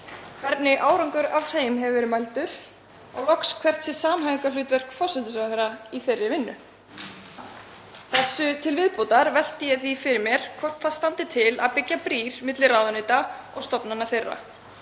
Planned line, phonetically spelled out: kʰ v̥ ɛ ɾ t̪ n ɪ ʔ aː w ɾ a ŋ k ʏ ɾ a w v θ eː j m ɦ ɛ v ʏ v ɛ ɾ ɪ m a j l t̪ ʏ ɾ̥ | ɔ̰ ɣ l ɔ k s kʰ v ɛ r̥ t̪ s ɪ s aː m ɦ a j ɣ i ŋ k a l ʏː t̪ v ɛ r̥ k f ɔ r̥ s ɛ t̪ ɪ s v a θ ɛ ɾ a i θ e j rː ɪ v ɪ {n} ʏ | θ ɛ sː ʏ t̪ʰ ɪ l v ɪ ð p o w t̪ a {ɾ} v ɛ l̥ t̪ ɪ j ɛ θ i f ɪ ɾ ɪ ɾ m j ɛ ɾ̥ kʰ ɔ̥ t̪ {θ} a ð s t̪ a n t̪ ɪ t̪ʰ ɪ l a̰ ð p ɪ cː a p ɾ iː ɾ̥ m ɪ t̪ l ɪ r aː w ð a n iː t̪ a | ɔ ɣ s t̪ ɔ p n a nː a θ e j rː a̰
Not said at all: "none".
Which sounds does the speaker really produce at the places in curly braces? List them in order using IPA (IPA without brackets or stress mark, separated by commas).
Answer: nː, ɾ, θ